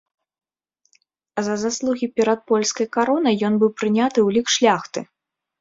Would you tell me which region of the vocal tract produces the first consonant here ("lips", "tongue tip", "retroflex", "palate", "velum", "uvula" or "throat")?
tongue tip